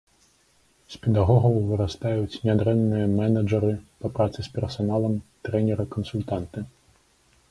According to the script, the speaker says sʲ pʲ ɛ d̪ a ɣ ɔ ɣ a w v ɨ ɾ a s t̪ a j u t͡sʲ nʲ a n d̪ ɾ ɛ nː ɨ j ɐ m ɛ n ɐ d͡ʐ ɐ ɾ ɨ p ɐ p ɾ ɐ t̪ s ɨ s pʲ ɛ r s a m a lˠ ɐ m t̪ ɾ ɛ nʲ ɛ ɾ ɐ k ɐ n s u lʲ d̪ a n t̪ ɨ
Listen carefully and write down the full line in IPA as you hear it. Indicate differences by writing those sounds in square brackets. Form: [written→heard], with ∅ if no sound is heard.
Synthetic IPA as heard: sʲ pʲ ɛ d̪ a ɣ ɔ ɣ [a→ɐ] w v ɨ ɾ a s t̪ a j u t͡sʲ nʲ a [n→∅] d̪ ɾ ɛ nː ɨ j ɐ m ɛ n ɐ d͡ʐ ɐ ɾ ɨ p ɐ p ɾ [ɐ→a] t̪ s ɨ s pʲ ɛ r s a [m→n] a lˠ ɐ m t̪ ɾ ɛ nʲ ɛ ɾ ɐ k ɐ n s u lʲ [d̪→t̪] a n t̪ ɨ